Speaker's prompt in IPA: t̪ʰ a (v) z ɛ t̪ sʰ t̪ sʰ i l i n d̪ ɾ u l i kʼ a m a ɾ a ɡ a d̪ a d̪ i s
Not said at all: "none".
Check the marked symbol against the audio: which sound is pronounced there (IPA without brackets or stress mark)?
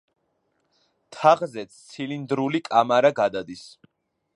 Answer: ʁ